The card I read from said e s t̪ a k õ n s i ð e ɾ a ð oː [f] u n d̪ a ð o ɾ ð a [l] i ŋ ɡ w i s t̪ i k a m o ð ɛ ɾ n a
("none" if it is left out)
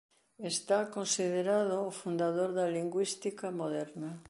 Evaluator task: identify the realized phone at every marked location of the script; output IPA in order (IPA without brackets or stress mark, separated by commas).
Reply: f, l